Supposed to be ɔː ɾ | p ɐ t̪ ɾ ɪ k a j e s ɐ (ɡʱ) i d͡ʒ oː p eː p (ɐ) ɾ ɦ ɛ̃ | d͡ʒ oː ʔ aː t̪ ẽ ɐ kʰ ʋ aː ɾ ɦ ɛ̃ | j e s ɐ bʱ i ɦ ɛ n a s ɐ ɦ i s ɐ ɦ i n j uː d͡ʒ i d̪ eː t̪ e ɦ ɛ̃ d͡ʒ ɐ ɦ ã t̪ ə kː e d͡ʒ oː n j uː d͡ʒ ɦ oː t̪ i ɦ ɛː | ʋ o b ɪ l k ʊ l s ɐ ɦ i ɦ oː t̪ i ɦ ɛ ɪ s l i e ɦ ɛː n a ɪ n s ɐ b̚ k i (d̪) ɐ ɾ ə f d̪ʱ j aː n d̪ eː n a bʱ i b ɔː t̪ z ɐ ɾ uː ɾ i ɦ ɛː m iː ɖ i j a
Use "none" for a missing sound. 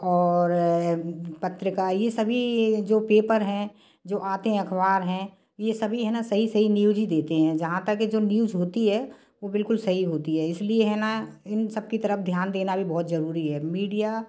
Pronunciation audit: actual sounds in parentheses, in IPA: bʱ, ə, t̪

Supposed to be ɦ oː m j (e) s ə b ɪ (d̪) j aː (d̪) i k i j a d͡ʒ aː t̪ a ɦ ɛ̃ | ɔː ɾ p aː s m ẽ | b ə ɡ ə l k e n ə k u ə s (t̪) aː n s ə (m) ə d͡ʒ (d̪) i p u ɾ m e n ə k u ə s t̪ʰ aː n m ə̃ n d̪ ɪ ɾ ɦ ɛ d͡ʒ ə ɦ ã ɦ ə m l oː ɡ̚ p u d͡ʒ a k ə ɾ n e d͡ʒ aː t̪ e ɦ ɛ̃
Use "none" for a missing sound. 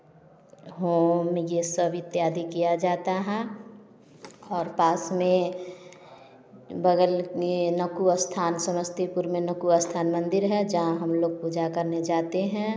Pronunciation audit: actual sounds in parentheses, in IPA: e, t̪, d̪, t̪ʰ, m, t̪

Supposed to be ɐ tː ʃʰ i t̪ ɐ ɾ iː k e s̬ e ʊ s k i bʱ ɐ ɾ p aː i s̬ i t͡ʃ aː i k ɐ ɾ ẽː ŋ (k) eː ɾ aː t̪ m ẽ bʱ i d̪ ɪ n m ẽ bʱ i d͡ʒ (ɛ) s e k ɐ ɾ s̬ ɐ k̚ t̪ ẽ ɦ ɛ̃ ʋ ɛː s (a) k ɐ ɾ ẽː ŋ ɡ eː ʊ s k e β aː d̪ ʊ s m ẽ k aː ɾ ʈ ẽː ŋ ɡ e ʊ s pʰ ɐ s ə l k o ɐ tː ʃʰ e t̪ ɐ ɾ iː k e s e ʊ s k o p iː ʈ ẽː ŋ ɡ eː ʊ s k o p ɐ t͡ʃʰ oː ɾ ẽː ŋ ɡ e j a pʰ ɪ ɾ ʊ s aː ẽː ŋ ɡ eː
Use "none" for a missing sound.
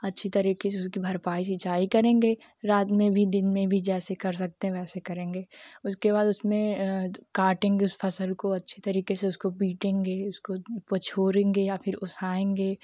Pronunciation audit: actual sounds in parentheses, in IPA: ɡ, ɛː, e

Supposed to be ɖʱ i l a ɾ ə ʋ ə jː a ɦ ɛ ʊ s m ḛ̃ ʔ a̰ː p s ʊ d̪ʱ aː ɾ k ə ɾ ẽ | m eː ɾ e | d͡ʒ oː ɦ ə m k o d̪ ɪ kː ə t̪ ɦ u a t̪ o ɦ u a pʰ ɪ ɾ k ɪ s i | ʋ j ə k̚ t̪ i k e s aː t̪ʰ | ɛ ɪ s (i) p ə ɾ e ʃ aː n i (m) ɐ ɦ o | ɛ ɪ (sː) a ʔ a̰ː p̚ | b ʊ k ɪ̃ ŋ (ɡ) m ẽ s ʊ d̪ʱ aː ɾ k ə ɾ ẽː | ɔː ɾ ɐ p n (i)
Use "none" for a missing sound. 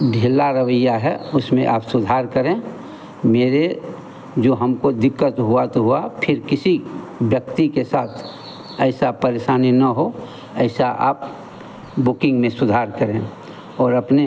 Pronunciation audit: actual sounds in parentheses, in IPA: a, n, s, ɡ, e

